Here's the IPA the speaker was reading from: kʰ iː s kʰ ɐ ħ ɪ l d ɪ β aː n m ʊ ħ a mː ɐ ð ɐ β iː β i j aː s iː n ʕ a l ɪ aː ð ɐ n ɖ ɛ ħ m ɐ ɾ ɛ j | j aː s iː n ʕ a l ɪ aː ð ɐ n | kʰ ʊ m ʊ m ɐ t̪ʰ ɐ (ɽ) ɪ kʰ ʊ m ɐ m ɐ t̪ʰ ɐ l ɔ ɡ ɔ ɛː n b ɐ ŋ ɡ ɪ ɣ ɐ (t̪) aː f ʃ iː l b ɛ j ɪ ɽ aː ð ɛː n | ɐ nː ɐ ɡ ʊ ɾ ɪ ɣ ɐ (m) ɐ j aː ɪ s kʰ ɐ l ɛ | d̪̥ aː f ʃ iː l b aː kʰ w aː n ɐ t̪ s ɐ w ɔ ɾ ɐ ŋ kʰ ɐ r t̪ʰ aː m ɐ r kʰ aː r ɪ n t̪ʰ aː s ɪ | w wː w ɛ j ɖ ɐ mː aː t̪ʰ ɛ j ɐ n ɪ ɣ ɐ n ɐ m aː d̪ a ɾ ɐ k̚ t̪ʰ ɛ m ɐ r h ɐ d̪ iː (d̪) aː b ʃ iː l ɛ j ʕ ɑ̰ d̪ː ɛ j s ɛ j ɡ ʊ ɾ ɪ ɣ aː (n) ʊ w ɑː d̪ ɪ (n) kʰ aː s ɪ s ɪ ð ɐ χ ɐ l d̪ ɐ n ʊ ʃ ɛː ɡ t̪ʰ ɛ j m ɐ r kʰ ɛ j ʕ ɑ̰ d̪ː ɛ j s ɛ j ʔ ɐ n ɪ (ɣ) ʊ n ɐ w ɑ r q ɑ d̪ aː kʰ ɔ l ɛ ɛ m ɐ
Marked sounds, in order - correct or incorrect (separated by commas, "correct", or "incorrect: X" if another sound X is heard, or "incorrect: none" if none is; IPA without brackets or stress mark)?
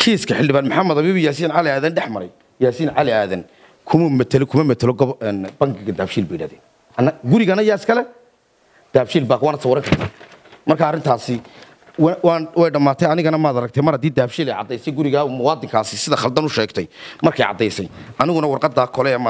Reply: incorrect: l, incorrect: d̪, incorrect: n, correct, incorrect: m, incorrect: ŋ, correct